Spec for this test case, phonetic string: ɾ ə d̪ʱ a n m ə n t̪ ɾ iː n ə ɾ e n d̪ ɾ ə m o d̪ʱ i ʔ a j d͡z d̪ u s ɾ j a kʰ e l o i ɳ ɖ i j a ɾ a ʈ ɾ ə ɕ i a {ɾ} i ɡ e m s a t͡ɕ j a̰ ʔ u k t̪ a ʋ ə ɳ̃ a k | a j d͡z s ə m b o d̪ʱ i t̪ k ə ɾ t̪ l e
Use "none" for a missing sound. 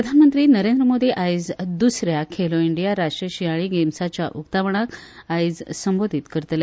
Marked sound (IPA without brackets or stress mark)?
ɭ